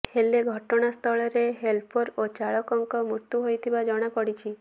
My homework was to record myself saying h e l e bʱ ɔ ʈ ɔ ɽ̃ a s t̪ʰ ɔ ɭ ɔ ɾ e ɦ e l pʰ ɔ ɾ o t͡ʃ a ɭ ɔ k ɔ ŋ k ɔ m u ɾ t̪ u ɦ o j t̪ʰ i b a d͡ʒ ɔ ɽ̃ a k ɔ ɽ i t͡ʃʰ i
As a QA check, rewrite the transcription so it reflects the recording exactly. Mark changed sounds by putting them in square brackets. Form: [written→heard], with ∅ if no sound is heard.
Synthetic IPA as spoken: h e l e [bʱ→ɡʱ] ɔ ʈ ɔ ɽ̃ a s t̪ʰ ɔ ɭ ɔ ɾ e ɦ e l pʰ ɔ ɾ o t͡ʃ a ɭ ɔ k ɔ ŋ k ɔ m u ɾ t̪ u ɦ o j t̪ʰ i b a d͡ʒ ɔ ɽ̃ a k ɔ ɽ i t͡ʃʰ i